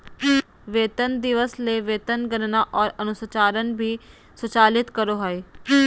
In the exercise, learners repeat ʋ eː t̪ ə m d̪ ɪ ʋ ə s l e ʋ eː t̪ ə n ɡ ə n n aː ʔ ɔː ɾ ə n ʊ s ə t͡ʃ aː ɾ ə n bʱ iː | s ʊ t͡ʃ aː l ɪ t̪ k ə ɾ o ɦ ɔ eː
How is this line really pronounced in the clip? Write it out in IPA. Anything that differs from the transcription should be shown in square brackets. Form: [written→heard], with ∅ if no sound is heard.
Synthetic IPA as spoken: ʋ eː t̪ ə [m→n] d̪ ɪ ʋ ə s l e ʋ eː t̪ ə n ɡ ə n n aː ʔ ɔː ɾ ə n ʊ s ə t͡ʃ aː ɾ ə n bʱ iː | s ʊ t͡ʃ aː l ɪ t̪ k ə ɾ o ɦ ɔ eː